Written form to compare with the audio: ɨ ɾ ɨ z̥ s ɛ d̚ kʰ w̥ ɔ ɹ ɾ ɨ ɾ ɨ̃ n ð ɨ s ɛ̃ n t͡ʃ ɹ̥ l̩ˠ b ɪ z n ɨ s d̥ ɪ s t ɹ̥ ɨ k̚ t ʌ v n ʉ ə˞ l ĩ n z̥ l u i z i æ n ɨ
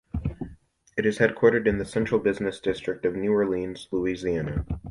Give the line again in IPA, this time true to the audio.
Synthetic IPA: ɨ ɾ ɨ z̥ h ɛ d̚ kʰ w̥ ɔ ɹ ɾ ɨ ɾ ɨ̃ n ð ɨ s ɛ̃ n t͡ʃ ɹ̥ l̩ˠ b ɪ z n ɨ s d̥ ɪ s t ɹ̥ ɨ k̚ t ʌ v n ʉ ə˞ l ĩ n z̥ l u i z i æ n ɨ

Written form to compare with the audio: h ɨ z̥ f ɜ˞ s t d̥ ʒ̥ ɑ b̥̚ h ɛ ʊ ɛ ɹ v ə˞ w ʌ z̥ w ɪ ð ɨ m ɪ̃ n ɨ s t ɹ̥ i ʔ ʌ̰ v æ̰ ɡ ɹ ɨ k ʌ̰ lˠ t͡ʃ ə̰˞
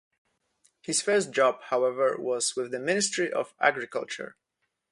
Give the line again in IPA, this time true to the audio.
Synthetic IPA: h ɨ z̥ f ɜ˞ s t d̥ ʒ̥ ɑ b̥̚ h a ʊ ɛ v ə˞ w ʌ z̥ w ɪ ð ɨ m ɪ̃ n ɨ s t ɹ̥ i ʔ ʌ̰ v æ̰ ɡ ɹ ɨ k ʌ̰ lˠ t͡ʃ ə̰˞

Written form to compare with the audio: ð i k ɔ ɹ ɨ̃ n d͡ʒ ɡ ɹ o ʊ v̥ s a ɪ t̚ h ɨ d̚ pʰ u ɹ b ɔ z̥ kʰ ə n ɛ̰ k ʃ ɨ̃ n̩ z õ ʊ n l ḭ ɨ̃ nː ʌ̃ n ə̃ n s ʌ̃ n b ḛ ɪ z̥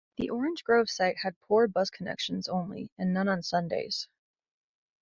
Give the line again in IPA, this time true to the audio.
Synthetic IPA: ð i ʔ ɔ ɹ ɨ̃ n d͡ʒ ɡ ɹ o ʊ v̥ s a ɪ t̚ h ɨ d̚ pʰ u ɹ b ʌ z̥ kʰ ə n ɛ̰ k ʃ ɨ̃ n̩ z õ ʊ̃ n l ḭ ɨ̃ nː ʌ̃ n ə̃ n s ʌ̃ n d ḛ ɪ z̥

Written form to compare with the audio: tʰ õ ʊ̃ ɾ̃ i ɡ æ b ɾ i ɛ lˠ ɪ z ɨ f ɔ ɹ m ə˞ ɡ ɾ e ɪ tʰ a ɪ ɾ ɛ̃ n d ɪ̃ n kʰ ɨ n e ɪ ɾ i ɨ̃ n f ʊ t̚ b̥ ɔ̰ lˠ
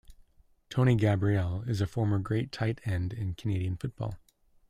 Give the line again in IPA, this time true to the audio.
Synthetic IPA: tʰ õ ʊ̃ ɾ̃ i ɡ æ b ɹ i ɛ lˠ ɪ z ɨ f ɔ ɹ m ə˞ ɡ ɹ e ɪ tʰ a ɪ ɾ ɛ̃ n d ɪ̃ n kʰ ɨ n e ɪ ɾ i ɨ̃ n f ʊ t̚ b̥ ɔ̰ lˠ

